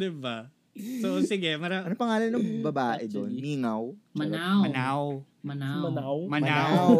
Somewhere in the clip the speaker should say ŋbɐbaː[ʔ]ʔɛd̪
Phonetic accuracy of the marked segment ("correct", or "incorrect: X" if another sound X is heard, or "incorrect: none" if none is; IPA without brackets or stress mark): correct